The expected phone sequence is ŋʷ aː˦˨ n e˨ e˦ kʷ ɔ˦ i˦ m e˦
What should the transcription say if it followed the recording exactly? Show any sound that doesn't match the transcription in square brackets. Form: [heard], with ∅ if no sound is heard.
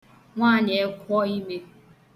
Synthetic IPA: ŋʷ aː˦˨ [ɲ] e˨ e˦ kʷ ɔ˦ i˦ m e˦